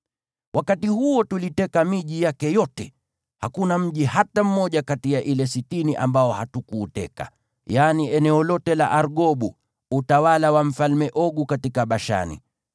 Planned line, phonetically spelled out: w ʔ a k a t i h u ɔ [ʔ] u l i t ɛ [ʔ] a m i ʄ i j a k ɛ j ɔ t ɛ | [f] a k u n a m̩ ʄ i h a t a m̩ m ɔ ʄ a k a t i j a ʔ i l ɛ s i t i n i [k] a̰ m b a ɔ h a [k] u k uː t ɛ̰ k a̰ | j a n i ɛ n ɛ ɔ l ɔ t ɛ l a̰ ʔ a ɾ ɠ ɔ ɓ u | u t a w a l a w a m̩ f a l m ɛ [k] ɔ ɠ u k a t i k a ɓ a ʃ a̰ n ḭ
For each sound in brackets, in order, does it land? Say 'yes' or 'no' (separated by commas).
no, no, no, no, no, no